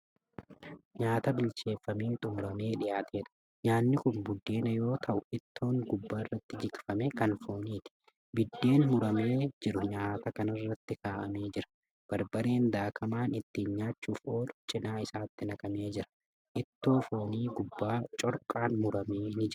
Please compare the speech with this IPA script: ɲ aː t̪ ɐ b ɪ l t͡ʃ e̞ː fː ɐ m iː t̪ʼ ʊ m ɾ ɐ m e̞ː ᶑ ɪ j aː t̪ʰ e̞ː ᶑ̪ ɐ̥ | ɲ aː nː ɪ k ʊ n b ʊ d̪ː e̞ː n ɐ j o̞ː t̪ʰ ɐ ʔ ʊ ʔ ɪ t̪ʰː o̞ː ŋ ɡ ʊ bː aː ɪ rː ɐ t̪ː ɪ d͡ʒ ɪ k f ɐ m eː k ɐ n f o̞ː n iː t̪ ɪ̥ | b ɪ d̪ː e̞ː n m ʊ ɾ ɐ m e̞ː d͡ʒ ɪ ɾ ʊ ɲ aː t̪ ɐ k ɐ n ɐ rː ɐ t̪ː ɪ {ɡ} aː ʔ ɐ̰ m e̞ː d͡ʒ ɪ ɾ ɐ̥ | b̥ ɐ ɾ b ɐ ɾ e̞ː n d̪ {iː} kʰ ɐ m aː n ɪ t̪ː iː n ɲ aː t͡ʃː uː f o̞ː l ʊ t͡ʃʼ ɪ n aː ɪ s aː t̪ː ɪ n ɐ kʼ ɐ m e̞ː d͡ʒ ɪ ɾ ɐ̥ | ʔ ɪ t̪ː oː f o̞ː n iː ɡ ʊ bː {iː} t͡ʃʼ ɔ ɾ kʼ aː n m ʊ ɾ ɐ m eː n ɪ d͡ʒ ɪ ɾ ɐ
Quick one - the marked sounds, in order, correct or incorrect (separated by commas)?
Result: incorrect, incorrect, incorrect